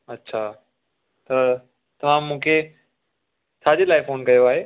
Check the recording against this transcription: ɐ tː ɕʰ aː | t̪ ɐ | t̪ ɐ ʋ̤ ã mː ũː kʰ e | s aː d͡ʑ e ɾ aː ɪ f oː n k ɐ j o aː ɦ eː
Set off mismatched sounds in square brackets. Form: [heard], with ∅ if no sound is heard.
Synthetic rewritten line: ɐ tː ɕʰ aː | t̪ ɐ | t̪ ɐ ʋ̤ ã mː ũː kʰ e | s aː d͡ʑ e [l] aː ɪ f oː n k ɐ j o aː ɦ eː